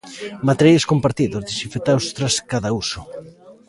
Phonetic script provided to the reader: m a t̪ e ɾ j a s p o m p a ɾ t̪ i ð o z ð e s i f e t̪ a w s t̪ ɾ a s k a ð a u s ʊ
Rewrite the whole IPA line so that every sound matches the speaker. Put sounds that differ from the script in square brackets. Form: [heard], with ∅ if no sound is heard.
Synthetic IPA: m a t̪ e ɾ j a s [k] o m p a ɾ t̪ i ð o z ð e s i f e t̪ a w s t̪ ɾ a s k a ð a u s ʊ

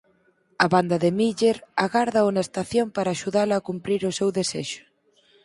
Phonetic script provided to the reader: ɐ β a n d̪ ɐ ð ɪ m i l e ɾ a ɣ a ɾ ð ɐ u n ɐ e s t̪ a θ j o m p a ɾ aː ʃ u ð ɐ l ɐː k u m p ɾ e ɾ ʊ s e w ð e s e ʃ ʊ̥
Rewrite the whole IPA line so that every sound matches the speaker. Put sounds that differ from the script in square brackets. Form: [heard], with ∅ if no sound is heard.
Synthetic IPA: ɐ β a n d̪ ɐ ð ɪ m i [ʎ] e ɾ a ɣ a ɾ ð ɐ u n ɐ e s t̪ a θ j o m p a ɾ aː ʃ u ð [a] l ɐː k u m p ɾ [i] ɾ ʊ s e w ð e s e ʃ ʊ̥

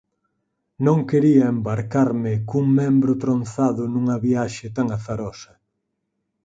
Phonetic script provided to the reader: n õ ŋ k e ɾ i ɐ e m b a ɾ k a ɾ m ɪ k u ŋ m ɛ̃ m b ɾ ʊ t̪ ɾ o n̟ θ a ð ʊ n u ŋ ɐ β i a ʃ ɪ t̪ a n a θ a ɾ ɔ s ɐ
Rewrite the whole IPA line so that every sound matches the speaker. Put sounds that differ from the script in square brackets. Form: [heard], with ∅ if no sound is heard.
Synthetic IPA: n õ ŋ k e ɾ i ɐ e m b a ɾ k a ɾ m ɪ k u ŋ m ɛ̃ m b ɾ ʊ t̪ ɾ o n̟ θ a ð ʊ n u ŋ ɐ β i a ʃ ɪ t̪ a [ŋ] a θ a ɾ ɔ s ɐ

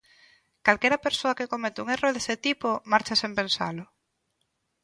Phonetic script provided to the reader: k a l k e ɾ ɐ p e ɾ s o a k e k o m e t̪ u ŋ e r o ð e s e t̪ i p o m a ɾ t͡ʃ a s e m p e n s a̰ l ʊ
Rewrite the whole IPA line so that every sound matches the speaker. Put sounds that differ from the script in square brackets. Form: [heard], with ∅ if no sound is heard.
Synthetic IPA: k a l k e ɾ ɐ p e ɾ s o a k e k o m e t̪ u ŋ e r o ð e s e t̪ i p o m a ɾ t͡ʃ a s e m p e n s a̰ l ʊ

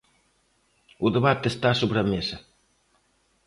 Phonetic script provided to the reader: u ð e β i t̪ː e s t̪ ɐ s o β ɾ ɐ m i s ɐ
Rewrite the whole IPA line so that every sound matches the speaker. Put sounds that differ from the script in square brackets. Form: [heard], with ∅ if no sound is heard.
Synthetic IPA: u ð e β [a] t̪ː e s t̪ [a] s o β ɾ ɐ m [e] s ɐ

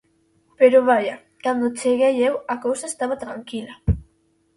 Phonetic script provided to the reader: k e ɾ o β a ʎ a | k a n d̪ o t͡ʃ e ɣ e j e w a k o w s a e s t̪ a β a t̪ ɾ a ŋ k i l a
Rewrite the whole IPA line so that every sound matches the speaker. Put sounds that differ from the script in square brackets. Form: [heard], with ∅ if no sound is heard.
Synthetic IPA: [p] e ɾ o β a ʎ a | k a n d̪ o t͡ʃ e ɣ e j e w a k o w s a e s t̪ a β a t̪ ɾ a ŋ k i l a

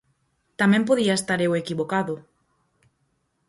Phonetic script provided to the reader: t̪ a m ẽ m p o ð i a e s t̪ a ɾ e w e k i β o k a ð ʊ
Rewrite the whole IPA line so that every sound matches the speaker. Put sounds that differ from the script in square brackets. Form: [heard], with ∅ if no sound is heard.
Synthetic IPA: t̪ a m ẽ m p o ð i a e s t̪ a ɾ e w e k i β o k a ð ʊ

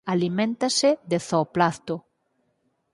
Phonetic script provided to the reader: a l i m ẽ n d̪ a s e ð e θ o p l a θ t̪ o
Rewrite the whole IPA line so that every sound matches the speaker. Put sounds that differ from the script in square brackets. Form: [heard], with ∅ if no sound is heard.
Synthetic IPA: a l i m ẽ n [t̪] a s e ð e θ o p l a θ t̪ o

